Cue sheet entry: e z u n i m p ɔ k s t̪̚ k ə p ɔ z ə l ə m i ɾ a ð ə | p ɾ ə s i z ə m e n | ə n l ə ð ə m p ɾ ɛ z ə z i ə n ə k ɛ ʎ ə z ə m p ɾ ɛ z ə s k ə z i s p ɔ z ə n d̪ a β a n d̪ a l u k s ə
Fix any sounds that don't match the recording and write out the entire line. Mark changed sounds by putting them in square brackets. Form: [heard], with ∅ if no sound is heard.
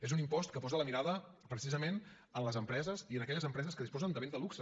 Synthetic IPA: e z u n i m p ɔ [∅] s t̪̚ k ə p ɔ z ə l ə m i ɾ a ð ə | p ɾ ə s i z ə m e n | ə n l ə [z] ə m p ɾ ɛ z ə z i ə n ə k ɛ ʎ ə z ə m p ɾ ɛ z ə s k ə [ð] i s p ɔ z ə n d̪ [ə] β [e] n d̪ [ə] l u k s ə